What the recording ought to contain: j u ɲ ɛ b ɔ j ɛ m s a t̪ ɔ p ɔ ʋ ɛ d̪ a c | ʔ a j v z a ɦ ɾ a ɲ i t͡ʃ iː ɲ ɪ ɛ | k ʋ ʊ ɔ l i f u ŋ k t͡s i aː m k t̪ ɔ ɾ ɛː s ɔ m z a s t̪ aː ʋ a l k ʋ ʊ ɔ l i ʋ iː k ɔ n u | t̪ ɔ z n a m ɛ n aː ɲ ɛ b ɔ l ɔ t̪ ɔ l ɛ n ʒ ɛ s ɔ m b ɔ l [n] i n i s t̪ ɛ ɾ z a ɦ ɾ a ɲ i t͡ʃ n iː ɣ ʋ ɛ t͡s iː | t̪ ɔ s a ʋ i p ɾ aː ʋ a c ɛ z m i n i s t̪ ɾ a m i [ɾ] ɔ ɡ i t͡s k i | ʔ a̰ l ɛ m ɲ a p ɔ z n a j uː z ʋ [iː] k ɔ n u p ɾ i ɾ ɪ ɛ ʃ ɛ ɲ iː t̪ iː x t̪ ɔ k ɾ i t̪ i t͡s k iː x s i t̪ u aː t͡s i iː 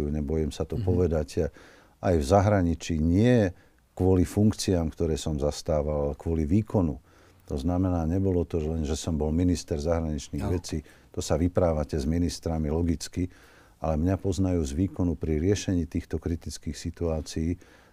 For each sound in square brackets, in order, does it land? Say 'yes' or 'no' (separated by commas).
no, no, yes